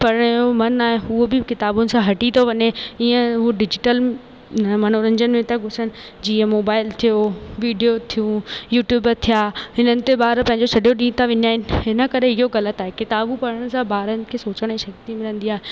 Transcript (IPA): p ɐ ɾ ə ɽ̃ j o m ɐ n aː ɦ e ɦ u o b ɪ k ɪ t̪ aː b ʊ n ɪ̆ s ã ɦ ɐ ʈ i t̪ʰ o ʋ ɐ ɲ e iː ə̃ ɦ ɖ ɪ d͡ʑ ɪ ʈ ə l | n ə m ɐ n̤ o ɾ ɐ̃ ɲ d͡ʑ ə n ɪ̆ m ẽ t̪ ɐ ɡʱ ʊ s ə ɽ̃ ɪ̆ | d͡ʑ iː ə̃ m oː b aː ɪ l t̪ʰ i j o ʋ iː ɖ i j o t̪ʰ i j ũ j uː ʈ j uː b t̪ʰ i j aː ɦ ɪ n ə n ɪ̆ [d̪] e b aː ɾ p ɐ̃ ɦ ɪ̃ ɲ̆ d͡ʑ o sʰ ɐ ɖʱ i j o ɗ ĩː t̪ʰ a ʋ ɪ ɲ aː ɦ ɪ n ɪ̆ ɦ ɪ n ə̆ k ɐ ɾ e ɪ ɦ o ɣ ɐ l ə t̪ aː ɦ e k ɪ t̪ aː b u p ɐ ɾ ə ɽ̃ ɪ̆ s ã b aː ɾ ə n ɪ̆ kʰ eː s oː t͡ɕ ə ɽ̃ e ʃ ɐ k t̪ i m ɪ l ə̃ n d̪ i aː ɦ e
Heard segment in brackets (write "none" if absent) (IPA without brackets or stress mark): t̪